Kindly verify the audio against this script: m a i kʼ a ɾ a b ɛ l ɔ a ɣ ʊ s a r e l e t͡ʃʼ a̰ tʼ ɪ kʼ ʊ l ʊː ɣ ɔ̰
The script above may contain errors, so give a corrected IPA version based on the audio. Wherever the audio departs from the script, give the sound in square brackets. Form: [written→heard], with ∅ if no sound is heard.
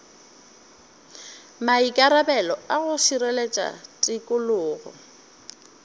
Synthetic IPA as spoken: m a i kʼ a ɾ a b ɛ l ɔ a ɣ ʊ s [a→i] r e l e t͡ʃʼ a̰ tʼ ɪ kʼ ʊ l ʊː ɣ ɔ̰